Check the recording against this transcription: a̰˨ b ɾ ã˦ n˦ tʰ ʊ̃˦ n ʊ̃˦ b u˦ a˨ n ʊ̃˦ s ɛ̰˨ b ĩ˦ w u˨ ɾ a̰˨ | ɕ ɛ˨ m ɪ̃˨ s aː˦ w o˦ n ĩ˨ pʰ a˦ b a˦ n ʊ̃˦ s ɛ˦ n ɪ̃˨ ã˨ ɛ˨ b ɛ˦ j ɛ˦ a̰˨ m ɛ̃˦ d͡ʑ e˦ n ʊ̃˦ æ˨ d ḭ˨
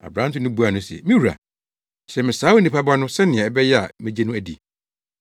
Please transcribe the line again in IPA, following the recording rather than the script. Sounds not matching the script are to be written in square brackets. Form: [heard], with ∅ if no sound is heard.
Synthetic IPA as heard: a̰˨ b ɾ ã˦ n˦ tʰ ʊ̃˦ n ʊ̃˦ b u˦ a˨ n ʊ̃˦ s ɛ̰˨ [m] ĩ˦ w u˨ ɾ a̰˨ | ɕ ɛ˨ m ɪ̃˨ s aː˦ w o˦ n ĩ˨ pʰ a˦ b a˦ n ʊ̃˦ s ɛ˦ n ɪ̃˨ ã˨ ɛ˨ b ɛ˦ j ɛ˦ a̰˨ m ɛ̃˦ d͡ʑ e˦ n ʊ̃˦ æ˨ d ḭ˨